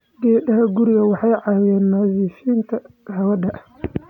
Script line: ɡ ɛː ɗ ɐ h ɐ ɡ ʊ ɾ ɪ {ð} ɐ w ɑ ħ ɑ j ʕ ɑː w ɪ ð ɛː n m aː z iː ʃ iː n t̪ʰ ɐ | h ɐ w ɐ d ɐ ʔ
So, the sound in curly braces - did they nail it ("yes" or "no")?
no